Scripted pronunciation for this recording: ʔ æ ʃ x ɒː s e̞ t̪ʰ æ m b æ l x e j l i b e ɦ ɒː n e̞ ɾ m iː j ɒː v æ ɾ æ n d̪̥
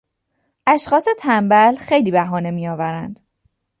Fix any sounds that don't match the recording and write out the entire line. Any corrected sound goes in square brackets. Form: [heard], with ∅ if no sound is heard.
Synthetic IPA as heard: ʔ æ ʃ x ɒː s e̞ t̪ʰ æ m b æ l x e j l [iː] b [æ] ɦ ɒː n e̞ [∅] m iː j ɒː v æ ɾ æ n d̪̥